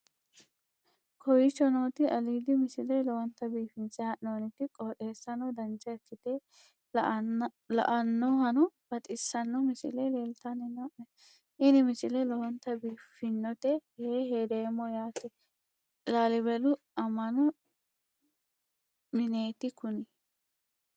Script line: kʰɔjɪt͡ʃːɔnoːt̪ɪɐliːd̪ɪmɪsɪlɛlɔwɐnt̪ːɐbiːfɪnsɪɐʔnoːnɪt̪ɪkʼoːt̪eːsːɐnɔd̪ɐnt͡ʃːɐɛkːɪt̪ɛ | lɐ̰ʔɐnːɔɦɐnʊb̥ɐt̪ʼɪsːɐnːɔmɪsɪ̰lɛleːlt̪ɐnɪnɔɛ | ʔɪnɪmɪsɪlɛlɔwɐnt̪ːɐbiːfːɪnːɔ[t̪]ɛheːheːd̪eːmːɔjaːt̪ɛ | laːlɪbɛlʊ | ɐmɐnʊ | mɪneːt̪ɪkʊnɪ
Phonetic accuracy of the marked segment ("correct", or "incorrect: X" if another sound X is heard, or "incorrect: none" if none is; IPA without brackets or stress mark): correct